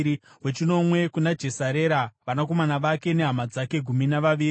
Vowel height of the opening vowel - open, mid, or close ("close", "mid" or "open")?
mid